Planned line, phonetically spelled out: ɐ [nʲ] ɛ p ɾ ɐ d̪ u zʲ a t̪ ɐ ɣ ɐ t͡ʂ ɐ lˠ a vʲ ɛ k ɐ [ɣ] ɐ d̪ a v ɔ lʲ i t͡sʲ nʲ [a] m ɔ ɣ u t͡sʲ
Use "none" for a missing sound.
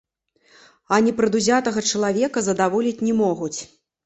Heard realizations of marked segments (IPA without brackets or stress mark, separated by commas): nʲ, z, ɛ